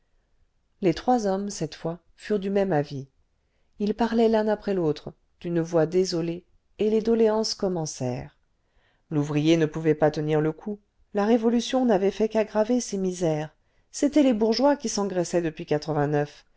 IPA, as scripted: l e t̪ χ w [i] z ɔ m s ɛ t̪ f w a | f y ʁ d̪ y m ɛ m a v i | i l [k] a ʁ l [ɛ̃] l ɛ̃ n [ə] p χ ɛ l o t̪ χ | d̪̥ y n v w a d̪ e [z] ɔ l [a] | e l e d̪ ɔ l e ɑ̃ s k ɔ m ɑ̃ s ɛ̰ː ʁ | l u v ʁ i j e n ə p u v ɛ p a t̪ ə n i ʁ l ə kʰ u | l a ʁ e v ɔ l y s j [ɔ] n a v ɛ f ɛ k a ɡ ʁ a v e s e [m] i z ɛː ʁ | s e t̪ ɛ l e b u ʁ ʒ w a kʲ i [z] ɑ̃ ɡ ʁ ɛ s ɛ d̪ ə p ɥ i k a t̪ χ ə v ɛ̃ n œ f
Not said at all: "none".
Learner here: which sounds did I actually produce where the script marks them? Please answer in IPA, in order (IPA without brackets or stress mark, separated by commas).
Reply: a, p, ɛ, a, z, e, ɔ̃, m, s